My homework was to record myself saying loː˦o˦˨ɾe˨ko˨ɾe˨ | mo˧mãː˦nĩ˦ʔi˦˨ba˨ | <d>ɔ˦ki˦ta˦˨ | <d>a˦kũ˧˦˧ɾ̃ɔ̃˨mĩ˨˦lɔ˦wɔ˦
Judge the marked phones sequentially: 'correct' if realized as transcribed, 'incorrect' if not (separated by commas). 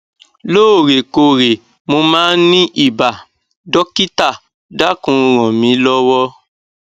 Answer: correct, correct